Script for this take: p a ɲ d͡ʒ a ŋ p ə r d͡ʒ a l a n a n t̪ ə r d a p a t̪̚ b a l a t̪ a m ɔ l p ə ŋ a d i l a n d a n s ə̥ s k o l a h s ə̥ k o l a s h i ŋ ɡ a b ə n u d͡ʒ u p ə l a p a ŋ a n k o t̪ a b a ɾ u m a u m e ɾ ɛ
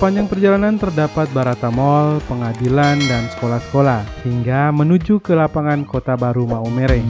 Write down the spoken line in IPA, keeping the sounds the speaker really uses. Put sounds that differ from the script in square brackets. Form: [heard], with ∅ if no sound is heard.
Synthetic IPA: p a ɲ d͡ʒ a ŋ p ə r d͡ʒ a l a n a n t̪ ə r d a p a t̪̚ b a [ɾ] a t̪ a m ɔ l p ə ŋ a d i l a n d a n s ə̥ [∅] k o l a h s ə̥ k o l a [h] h i ŋ ɡ a [m] ə n u d͡ʒ u [k] ə l a p a ŋ a n k o t̪ a b a ɾ u m a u m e ɾ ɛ